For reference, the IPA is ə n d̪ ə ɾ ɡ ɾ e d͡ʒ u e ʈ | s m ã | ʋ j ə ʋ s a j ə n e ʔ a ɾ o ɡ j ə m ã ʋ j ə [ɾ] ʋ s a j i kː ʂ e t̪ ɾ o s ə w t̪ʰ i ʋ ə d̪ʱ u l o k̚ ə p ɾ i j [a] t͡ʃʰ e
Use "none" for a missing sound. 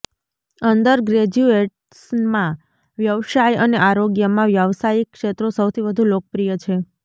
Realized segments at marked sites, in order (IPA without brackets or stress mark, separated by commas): none, ə